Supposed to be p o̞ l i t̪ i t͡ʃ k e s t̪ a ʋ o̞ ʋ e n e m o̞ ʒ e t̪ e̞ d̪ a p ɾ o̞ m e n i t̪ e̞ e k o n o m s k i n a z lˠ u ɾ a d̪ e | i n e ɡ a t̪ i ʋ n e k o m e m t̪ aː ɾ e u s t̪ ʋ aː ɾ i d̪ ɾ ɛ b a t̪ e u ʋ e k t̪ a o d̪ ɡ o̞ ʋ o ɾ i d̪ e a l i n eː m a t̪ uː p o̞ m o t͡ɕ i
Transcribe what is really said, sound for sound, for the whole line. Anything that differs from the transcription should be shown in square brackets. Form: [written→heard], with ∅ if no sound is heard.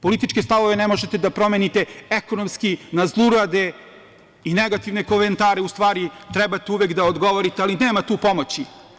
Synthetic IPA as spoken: p o̞ l i t̪ i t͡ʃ k e s t̪ a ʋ o̞ ʋ e n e m o̞ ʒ e t̪ e̞ d̪ a p ɾ o̞ m e n i t̪ e̞ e k o n o m s k i n a z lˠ u ɾ a d̪ e | i n e ɡ a t̪ i ʋ n e k o m e [m→n] t̪ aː ɾ e u s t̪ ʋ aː ɾ i [d̪→t̪] ɾ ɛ b a t̪ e u ʋ e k [t̪→d̪] a o d̪ ɡ o̞ ʋ o ɾ i [d̪→t̪] e a l i n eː m a t̪ uː p o̞ m o t͡ɕ i